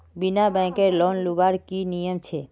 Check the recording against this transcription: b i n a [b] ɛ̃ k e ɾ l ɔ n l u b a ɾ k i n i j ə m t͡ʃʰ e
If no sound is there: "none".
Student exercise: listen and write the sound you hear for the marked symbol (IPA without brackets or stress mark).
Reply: b